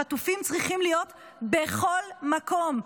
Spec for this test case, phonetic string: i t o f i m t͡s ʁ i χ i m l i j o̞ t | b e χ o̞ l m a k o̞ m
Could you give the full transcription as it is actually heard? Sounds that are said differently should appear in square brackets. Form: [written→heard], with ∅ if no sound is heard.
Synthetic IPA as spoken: [i→a] t [o→u] f i m t͡s ʁ i χ i m l i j o̞ t | b e χ o̞ l m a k o̞ m